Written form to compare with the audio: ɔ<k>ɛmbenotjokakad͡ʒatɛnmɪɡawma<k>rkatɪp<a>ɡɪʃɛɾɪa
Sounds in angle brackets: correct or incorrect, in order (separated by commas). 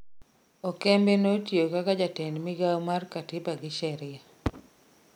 correct, incorrect, correct